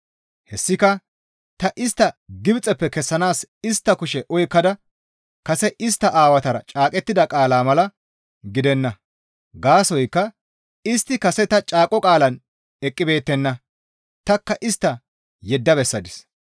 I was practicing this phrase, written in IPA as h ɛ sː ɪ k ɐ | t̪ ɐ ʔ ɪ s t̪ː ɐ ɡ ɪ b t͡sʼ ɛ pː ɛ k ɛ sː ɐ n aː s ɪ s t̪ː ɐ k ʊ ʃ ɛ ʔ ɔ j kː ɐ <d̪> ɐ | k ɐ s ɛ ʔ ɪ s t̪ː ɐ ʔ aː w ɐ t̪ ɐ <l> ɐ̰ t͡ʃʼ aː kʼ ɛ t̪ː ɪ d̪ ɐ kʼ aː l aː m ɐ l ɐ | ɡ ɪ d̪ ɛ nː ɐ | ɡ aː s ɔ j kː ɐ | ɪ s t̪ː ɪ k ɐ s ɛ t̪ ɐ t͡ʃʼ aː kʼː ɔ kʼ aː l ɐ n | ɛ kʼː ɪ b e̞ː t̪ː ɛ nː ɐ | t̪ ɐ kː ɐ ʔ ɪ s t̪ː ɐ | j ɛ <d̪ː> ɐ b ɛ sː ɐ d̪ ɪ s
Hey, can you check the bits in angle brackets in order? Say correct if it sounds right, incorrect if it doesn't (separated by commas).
correct, incorrect, correct